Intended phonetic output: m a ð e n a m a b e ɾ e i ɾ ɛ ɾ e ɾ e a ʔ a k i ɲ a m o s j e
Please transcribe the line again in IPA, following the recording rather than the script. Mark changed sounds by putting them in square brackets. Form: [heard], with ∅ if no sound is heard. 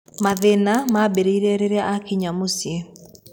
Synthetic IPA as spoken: m a ð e n a m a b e ɾ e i ɾ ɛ ɾ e ɾ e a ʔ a k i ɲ a m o s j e